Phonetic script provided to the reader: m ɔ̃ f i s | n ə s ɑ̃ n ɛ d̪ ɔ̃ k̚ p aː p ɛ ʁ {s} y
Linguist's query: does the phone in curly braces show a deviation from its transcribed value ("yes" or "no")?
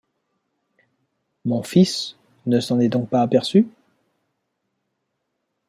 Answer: no